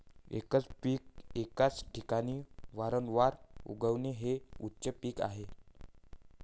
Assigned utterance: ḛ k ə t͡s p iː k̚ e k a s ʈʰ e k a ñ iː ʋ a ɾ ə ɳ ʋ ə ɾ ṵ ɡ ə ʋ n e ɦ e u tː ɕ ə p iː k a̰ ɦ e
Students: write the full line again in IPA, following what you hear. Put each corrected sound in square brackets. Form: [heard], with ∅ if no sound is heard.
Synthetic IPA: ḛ k ə t͡s p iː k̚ e k a [t͡s] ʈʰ [i] k a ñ iː ʋ a ɾ ə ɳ ʋ [a] ɾ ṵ ɡ ə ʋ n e ɦ e u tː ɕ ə p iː k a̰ ɦ e